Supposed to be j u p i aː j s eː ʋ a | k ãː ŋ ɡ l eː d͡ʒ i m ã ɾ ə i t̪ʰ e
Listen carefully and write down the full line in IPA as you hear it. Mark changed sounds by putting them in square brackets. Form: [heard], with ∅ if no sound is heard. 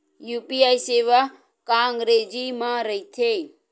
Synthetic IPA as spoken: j u p i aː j s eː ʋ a | k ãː ŋ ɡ [ɾ] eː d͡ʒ i m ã ɾ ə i t̪ʰ e

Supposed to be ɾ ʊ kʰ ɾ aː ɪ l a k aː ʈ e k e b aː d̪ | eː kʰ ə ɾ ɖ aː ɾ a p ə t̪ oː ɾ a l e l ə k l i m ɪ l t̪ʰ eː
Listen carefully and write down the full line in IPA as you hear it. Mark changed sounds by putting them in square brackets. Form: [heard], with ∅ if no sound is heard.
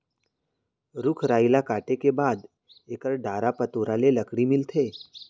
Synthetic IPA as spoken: ɾ ʊ kʰ ɾ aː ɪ l a k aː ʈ e k e b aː d̪ | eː [k] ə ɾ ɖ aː ɾ a p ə t̪ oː ɾ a l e l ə k [ɽ] i m ɪ l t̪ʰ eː

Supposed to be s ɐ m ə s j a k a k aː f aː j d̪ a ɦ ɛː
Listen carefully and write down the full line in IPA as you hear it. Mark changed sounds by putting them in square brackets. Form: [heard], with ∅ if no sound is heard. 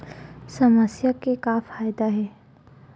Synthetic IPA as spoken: s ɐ m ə s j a k [e] k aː f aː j d̪ a ɦ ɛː

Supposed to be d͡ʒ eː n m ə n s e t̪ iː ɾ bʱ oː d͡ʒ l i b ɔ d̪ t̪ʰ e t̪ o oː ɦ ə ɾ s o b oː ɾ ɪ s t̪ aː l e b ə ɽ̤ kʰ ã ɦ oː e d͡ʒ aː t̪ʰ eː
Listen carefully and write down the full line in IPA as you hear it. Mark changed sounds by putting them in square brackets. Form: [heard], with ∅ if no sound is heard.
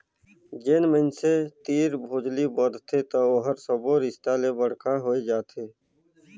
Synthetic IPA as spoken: d͡ʒ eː n m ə n s e t̪ iː ɾ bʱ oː d͡ʒ l i b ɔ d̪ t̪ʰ e t̪ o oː ɦ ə ɾ s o b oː ɾ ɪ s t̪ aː l e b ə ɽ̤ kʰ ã ɦ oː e d͡ʒ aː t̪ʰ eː

